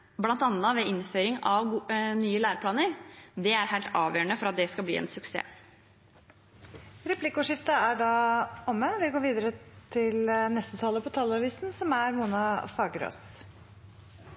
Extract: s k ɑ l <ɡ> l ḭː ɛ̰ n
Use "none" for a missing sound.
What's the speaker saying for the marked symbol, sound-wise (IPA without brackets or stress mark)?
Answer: b